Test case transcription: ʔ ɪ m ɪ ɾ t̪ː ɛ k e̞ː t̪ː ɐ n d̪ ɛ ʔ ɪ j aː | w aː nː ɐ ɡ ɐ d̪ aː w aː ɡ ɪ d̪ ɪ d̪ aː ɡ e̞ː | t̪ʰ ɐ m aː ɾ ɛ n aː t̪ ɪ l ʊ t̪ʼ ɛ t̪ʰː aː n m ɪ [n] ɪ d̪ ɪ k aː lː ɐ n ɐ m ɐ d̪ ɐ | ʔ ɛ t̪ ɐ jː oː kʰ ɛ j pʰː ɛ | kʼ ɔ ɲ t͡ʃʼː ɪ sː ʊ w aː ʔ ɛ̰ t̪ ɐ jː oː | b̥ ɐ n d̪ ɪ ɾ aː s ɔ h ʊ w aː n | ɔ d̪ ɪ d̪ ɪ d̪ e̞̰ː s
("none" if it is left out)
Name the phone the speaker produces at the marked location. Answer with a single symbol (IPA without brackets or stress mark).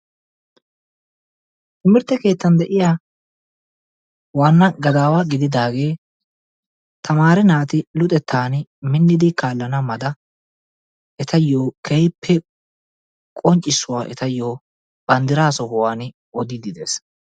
nː